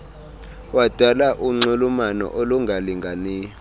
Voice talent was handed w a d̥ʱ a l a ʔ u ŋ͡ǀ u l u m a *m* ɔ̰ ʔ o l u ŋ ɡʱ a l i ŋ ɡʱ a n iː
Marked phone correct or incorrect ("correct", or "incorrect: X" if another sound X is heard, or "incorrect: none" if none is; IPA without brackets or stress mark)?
incorrect: n